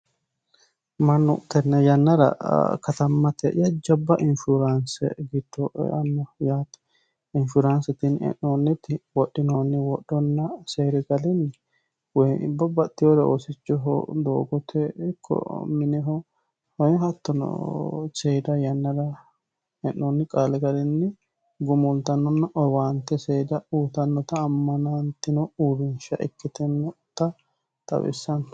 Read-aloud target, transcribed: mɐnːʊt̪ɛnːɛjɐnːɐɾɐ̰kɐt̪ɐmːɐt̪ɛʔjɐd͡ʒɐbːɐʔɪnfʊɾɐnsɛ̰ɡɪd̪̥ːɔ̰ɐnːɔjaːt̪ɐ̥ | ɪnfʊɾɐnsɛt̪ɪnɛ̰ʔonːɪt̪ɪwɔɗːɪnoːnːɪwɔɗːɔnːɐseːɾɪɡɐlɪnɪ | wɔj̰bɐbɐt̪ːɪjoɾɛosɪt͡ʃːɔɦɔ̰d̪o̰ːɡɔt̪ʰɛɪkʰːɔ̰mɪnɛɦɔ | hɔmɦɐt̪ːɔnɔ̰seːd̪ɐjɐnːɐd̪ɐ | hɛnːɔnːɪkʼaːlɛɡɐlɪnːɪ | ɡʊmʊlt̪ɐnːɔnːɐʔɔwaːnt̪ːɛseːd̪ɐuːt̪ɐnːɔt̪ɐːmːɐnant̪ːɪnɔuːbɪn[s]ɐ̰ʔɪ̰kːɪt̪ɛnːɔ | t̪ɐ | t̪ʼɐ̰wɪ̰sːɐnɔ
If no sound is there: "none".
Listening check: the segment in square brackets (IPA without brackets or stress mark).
ʃ